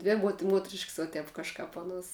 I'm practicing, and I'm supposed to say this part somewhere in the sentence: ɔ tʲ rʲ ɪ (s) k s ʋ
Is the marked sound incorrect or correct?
incorrect